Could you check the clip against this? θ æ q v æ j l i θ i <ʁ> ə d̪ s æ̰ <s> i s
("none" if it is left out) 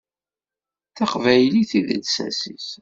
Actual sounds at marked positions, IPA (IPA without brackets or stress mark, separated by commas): ð, s